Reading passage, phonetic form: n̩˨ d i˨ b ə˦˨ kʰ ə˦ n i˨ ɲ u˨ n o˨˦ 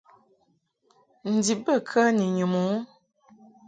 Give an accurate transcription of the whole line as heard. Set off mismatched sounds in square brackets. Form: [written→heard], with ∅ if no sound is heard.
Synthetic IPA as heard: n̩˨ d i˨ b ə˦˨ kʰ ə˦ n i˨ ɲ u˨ [n→m] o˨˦